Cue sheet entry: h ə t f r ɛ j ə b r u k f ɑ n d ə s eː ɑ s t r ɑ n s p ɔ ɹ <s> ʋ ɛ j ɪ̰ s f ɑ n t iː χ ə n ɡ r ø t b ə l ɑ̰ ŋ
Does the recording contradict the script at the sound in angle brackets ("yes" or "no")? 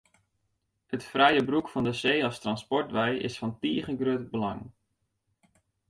yes